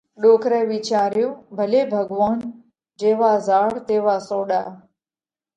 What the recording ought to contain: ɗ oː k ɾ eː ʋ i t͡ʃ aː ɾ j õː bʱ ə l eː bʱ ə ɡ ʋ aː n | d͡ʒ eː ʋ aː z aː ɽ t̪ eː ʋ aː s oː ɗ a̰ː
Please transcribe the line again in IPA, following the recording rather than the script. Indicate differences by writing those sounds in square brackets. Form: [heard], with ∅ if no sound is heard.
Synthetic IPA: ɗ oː k ɾ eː ʋ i t͡ʃ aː ɾ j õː bʱ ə l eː bʱ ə ɡ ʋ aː n | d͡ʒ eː ʋ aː z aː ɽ t̪ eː ʋ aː s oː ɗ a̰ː